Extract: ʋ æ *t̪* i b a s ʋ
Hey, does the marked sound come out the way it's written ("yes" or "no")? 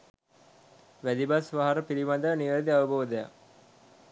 no